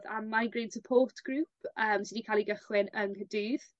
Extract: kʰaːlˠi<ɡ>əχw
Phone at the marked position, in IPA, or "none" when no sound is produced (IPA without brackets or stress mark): ɡ